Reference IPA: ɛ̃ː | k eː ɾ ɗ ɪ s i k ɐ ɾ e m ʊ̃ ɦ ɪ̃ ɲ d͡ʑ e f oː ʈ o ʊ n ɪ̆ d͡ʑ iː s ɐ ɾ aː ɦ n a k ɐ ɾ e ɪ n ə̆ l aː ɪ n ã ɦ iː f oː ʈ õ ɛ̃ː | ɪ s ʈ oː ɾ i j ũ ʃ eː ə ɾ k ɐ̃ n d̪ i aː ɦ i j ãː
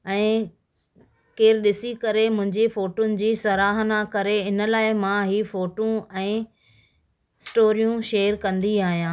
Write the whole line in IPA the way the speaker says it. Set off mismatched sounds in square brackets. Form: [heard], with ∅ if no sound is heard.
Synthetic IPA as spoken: ɛ̃ː | k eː ɾ ɗ ɪ s i k ɐ ɾ e m ʊ̃ ɦ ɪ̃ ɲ d͡ʑ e f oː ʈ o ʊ n ɪ̆ d͡ʑ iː s ɐ ɾ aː ɦ n a k ɐ ɾ e ɪ n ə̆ l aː ɪ [m] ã ɦ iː f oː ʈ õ ɛ̃ː | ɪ s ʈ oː ɾ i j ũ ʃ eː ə ɾ k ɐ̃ n d̪ i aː ɦ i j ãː